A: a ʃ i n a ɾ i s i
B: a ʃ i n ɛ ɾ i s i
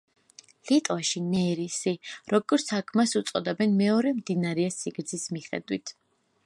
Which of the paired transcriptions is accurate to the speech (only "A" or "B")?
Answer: B